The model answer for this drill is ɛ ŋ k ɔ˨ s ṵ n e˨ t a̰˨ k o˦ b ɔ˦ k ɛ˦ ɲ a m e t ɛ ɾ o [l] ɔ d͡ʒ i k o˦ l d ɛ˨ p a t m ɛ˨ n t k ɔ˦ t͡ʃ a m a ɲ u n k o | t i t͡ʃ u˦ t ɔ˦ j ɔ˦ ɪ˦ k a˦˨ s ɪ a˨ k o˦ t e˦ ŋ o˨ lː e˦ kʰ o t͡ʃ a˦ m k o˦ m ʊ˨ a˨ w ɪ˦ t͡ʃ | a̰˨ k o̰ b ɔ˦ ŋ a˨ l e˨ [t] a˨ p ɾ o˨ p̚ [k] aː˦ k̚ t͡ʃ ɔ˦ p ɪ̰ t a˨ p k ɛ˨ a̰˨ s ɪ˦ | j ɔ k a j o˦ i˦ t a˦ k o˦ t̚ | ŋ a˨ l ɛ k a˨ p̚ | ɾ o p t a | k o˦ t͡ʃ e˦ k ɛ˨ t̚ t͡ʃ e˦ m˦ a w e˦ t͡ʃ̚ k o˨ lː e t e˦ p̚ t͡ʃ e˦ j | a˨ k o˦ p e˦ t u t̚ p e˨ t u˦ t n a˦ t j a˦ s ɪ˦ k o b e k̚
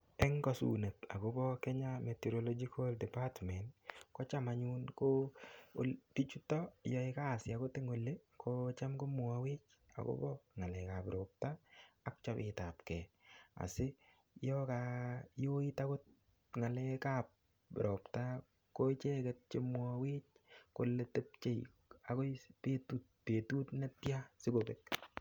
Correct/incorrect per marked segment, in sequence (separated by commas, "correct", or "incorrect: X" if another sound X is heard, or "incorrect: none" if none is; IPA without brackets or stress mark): correct, incorrect: k, incorrect: t